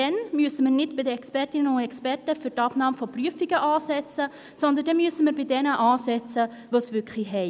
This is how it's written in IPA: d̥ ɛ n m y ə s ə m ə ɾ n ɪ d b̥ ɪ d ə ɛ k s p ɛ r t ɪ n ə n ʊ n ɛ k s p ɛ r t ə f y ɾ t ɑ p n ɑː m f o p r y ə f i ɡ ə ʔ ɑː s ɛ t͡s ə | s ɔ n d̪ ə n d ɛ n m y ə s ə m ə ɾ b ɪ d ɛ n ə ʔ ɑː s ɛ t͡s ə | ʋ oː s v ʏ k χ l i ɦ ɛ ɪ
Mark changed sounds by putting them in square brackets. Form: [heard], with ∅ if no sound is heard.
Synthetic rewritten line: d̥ ɛ n m y ə s ə m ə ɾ n ɪ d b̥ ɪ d ə ɛ k s p ɛ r t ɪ n ə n ʊ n ɛ k s p ɛ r t ə f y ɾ t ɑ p n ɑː m f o p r y ə f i ɡ ə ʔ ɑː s ɛ t͡s ə | s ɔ n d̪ ə n d ɛ n m y ə s ə m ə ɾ b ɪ d ɛ n ə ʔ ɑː s ɛ t͡s ə | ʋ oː s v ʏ k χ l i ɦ ɛ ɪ